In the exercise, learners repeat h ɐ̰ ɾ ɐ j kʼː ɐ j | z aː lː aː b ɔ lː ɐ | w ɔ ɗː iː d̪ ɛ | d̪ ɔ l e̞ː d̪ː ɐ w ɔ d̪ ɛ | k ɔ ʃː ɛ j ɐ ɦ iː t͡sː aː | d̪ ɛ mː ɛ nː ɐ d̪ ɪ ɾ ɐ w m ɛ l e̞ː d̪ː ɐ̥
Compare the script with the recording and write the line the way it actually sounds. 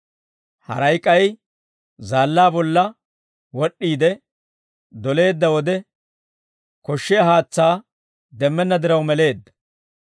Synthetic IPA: h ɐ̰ ɾ ɐ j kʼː ɐ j | z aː lː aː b ɔ lː ɐ | w ɔ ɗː iː d̪ ɛ | d̪ ɔ l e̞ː d̪ː ɐ w ɔ d̪ ɛ | k ɔ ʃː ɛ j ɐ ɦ aː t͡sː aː | d̪ ɛ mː ɛ nː ɐ d̪ ɪ ɾ ɐ w m ɛ l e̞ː d̪ː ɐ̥